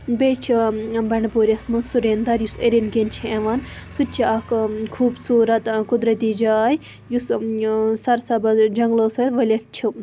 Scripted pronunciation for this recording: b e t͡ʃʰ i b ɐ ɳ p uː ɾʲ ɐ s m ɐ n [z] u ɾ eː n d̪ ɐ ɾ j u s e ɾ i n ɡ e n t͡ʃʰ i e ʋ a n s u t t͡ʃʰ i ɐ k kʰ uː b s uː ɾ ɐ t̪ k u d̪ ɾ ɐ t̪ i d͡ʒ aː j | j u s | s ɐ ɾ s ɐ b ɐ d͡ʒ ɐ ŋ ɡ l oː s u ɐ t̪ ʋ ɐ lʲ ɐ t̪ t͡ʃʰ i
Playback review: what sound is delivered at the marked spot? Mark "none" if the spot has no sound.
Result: s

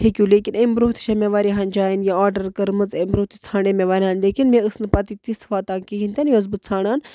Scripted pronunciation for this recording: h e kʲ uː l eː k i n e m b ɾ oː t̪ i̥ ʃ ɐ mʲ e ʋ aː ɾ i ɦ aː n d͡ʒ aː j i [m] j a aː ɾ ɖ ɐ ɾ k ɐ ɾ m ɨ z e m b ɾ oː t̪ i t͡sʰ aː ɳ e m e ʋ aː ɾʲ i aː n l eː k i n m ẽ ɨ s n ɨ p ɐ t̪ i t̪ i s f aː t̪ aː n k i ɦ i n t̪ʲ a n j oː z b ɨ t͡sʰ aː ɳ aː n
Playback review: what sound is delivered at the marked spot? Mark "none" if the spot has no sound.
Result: n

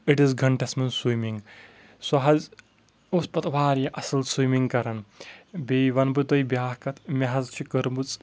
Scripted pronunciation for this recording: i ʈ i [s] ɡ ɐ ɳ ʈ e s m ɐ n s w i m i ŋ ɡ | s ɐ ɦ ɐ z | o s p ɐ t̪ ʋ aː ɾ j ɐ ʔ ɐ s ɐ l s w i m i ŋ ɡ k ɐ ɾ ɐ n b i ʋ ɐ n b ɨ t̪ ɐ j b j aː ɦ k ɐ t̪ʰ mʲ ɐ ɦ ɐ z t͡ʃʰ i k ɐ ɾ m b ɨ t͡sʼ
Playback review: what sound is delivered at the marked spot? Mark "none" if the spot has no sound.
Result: z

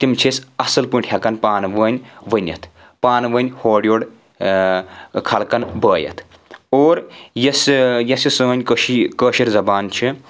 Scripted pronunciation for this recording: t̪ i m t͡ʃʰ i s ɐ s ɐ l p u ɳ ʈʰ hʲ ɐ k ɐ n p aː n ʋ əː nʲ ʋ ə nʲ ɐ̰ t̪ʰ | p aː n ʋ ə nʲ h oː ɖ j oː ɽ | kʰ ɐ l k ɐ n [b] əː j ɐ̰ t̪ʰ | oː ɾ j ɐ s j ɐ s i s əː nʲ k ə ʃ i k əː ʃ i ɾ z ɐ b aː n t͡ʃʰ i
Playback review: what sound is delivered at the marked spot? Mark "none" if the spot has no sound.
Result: b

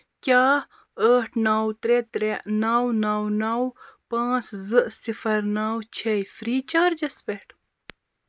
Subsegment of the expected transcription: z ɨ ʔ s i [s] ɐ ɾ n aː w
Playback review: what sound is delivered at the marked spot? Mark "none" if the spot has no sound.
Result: f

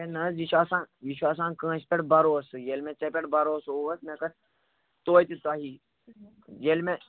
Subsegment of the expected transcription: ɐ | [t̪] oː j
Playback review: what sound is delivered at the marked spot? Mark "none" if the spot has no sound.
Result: t̪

